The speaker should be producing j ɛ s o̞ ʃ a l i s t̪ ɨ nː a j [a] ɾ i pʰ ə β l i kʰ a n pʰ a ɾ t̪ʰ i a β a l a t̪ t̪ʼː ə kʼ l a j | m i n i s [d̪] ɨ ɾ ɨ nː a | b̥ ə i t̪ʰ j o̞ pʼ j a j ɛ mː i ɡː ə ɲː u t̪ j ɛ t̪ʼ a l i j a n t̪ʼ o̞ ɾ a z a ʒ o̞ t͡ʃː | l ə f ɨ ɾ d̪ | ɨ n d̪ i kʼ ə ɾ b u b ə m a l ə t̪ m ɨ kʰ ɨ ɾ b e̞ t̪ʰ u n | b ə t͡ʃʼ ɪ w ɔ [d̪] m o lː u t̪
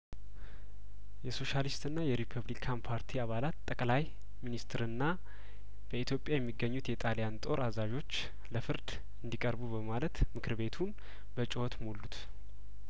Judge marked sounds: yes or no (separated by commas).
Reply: no, no, no